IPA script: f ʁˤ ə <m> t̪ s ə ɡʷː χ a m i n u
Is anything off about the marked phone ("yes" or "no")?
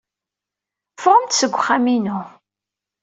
no